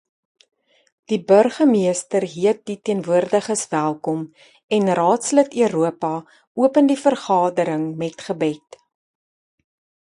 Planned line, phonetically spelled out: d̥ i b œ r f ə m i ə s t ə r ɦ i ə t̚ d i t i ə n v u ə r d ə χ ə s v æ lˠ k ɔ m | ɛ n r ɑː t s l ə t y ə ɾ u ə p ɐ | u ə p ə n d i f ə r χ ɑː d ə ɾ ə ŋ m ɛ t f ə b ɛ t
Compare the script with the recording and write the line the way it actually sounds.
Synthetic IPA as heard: d̥ i b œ r χ ə m i ə s t ə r ɦ i ə t̚ d i t i ə n v u ə r d ə χ ə s v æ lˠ k ɔ m | ɛ n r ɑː t s l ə t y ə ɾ u ə p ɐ | u ə p ə n d i f ə r χ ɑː d ə ɾ ə ŋ m ɛ t χ ə b ɛ t